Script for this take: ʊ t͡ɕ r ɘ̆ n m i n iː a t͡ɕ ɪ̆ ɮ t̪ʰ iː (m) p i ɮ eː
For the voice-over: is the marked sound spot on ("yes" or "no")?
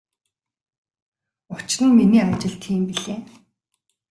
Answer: yes